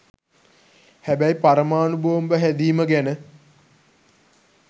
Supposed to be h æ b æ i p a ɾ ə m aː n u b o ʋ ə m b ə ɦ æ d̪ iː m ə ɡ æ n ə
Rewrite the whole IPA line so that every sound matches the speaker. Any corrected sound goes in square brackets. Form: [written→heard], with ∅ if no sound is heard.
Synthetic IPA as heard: h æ b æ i p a ɾ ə m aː n u b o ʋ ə m b ə ɦ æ d̪ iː m ə ɡ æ n ə